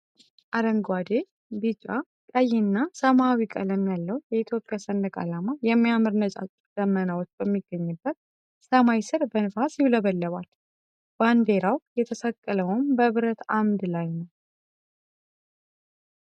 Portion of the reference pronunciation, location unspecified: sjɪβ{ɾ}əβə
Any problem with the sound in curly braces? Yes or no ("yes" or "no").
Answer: yes